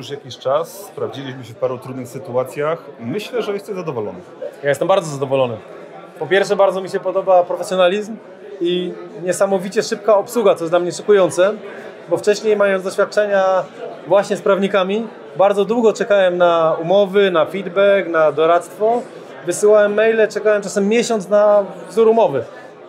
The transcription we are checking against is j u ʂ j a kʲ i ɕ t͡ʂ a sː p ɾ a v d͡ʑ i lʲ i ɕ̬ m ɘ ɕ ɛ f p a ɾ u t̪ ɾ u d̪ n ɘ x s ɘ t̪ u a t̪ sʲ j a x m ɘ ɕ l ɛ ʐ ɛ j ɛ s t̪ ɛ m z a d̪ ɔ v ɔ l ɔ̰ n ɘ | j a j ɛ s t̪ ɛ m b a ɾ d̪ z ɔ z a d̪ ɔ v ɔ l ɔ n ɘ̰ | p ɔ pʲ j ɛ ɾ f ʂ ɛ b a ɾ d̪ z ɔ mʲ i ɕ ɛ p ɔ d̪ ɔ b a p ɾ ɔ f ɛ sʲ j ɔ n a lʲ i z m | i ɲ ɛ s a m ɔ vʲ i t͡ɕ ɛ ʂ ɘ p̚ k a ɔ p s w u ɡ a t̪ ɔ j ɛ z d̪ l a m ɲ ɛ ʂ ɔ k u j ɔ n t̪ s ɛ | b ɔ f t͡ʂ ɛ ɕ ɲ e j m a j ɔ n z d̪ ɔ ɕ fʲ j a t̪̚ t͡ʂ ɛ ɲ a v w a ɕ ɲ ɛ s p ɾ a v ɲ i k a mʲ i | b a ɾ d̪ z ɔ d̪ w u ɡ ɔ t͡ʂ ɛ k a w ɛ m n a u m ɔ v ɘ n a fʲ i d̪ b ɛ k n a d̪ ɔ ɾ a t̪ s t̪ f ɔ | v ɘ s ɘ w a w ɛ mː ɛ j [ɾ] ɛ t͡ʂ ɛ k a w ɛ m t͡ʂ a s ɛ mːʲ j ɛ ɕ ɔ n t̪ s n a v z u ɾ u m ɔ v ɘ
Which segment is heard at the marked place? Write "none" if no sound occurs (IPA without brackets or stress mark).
l